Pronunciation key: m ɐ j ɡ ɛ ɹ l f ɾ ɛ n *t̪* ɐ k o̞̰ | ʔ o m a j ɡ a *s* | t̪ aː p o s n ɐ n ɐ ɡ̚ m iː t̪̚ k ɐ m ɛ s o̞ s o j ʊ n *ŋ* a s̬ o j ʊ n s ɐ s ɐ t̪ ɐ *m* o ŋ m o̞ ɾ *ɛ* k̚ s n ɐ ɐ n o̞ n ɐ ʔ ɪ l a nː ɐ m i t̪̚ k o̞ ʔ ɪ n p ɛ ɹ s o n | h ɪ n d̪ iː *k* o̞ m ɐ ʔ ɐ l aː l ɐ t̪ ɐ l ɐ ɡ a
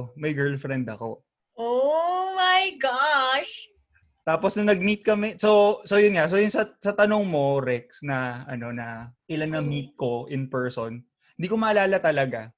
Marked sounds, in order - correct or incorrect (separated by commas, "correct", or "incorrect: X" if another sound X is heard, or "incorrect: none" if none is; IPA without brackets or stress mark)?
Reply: incorrect: d̪, incorrect: ʃ, correct, incorrect: n, correct, correct